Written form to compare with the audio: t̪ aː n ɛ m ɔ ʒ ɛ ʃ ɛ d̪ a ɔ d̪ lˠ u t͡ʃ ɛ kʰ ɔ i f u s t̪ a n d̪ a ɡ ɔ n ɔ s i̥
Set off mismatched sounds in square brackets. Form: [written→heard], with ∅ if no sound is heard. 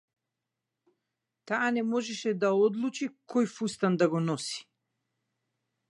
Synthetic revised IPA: t̪ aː n ɛ m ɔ ʒ ɛ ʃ ɛ d̪ a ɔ d̪ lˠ u t͡ʃ [ɛ→i] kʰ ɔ [i→j] f u s t̪ a n d̪ a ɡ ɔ n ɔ s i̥